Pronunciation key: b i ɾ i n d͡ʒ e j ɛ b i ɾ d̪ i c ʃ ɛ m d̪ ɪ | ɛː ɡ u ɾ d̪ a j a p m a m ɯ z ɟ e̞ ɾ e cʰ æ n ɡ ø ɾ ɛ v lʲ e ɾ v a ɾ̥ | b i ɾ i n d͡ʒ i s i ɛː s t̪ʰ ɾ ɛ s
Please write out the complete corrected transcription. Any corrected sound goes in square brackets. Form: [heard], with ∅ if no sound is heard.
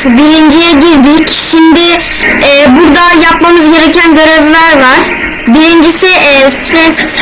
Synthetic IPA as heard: b i ɾ i n d͡ʒ [i] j ɛ [ɟ] i ɾ d̪ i c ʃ [i] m d̪ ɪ | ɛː [b] u ɾ d̪ a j a p m a m ɯ z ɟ e̞ ɾ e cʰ æ n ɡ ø ɾ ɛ v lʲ [æ] ɾ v a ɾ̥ | b i ɾ i n d͡ʒ i s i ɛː s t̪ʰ ɾ ɛ s